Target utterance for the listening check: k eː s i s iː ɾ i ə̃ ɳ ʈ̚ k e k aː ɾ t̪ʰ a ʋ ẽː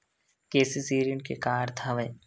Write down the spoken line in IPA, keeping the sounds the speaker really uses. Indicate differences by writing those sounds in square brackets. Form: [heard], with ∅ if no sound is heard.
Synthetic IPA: k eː s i s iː ɾ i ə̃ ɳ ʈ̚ k e k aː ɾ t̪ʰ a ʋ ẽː